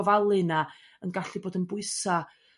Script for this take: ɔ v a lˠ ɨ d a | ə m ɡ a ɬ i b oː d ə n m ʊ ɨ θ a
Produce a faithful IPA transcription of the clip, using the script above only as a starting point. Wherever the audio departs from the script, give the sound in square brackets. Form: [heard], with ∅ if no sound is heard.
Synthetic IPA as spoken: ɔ v a lˠ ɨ [n] a | ə [n] ɡ a ɬ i b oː d ə n [b] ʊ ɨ [s] a